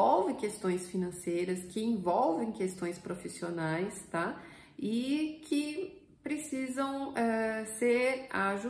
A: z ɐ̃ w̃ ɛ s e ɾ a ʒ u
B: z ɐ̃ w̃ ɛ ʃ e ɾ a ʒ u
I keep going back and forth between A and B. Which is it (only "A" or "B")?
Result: A